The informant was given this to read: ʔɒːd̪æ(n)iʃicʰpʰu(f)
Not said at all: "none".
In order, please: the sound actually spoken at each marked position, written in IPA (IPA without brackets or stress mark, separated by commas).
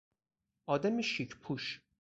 m, ʃ